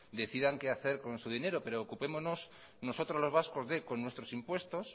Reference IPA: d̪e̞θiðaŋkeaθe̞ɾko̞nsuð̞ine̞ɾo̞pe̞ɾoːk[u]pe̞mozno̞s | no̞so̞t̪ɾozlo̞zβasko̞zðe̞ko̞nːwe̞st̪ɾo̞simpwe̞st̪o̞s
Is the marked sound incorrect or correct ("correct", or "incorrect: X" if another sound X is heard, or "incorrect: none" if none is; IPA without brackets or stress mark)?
correct